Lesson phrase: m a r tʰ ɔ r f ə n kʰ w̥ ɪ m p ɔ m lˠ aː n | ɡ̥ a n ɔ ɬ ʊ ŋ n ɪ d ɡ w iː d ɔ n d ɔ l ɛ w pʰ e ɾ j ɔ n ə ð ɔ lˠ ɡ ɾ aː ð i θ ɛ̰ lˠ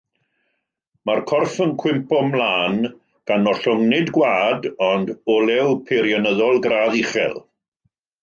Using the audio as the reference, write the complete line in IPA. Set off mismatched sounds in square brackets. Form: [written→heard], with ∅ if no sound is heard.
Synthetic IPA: m a r [tʰ→kʰ] ɔ r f ə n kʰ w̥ ɪ m p ɔ m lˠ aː n | ɡ̥ a n ɔ ɬ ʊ ŋ n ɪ d ɡ w [iː→aː] d ɔ n d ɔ l ɛ w pʰ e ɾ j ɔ n ə ð ɔ lˠ ɡ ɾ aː ð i [θ→χ] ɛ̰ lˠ